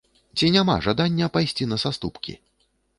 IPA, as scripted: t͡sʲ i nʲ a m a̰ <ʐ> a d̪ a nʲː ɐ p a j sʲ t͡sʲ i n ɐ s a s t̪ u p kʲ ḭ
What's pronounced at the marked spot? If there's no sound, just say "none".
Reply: ʐ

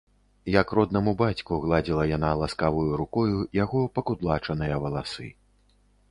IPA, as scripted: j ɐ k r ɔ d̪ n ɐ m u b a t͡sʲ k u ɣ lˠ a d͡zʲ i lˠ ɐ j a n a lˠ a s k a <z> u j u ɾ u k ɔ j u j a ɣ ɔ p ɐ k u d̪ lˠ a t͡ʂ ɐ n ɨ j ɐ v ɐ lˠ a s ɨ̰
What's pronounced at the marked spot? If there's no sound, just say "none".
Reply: v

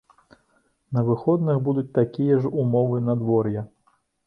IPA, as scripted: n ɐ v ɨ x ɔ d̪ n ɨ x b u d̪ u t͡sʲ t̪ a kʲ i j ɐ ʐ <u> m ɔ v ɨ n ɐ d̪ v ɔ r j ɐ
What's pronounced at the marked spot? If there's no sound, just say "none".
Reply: u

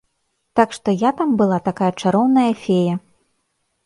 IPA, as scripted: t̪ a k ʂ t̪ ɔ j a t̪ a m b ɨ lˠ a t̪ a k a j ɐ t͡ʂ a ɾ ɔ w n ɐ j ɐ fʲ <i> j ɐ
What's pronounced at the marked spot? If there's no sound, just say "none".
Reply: e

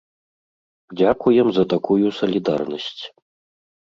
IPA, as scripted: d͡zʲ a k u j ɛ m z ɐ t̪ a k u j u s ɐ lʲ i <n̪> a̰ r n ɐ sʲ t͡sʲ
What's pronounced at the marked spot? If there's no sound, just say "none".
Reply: d̪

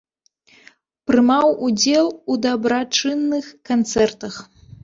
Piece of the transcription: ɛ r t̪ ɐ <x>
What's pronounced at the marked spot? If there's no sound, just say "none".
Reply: x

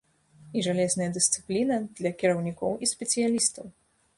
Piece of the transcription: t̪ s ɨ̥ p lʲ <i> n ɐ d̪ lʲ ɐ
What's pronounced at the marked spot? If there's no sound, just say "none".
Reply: i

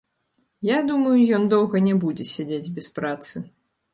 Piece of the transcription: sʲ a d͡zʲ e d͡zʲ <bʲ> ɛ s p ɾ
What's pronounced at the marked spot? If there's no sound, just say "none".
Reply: bʲ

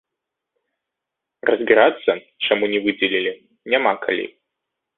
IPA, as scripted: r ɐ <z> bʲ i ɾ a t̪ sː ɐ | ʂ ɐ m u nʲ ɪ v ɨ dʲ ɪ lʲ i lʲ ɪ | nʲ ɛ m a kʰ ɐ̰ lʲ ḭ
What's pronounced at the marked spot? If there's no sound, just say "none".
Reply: z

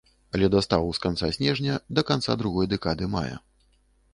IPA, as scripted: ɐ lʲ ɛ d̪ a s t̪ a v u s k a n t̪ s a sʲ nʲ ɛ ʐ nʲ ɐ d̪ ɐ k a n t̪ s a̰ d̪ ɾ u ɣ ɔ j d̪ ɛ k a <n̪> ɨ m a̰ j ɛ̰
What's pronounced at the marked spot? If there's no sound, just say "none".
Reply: d̪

